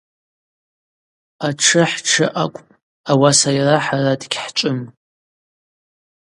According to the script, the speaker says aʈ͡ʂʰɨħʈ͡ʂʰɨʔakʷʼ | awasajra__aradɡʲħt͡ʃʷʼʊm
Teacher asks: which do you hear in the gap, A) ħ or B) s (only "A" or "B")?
A